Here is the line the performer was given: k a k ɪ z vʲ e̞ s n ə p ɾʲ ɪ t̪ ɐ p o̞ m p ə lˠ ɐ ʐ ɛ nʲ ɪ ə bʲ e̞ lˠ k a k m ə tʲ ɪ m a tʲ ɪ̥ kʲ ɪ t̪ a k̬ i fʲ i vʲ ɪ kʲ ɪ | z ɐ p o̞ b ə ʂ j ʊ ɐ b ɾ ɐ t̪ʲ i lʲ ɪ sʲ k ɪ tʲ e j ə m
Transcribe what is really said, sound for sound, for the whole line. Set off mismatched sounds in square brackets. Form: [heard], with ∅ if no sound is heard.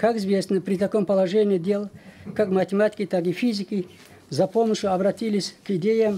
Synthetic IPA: k a k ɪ z vʲ e̞ s n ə p ɾʲ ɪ t̪ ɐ [k] o̞ m p ə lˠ ɐ ʐ ɛ nʲ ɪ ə [dʲ] e̞ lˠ k a k m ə tʲ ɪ m a tʲ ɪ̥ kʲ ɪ t̪ a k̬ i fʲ i [zʲ] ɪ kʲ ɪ | z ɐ p o̞ [m] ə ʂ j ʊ ɐ b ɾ ɐ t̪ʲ i lʲ ɪ sʲ k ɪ [dʲ] e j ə m